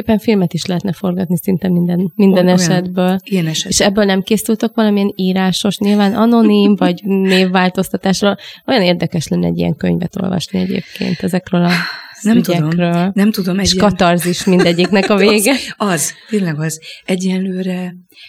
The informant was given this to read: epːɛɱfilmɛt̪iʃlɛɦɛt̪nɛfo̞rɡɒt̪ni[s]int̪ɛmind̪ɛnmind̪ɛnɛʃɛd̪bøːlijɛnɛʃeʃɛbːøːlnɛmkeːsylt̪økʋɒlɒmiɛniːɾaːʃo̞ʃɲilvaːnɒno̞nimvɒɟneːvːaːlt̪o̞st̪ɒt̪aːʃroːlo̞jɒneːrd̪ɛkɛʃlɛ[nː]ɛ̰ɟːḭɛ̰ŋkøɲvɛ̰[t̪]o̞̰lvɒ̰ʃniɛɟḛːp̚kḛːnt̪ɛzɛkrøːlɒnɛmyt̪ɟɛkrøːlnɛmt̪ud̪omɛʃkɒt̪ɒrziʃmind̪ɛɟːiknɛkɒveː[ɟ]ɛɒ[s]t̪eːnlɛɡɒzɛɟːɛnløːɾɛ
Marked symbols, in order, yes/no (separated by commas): yes, yes, yes, no, no